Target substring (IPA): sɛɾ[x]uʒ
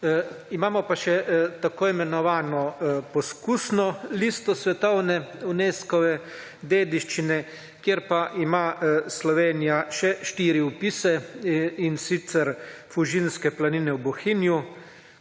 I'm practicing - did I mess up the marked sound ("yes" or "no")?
yes